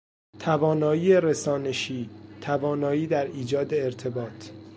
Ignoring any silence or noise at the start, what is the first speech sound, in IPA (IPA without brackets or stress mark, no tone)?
t̪ʰ